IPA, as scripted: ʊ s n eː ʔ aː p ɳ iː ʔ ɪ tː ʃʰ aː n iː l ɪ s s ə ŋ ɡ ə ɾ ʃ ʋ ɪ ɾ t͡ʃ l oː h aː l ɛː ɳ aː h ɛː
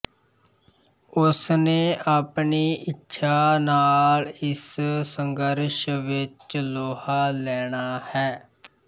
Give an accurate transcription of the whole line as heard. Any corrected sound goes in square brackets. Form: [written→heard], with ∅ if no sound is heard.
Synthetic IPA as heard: ʊ s n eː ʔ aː p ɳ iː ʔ ɪ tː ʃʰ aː n [iː→aː] l ɪ s s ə ŋ ɡ ə ɾ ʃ ʋ ɪ [ɾ→∅] t͡ʃ l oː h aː l ɛː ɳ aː h ɛː